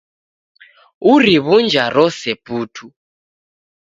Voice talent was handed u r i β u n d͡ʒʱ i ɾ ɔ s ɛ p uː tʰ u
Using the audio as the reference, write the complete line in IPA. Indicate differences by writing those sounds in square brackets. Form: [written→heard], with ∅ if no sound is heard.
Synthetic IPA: u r i β u n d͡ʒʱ [i→a] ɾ ɔ s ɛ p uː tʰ u